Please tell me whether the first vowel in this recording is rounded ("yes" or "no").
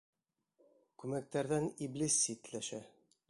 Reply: yes